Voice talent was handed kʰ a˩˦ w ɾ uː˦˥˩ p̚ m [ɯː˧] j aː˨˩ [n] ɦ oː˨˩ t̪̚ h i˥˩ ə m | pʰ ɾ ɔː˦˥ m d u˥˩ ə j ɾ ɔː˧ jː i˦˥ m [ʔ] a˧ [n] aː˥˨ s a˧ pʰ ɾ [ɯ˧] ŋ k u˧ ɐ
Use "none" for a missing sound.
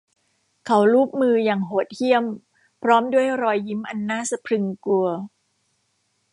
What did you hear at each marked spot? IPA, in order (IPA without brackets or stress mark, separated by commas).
ɯː˧, ŋ, ʔ, nː, ɯ˧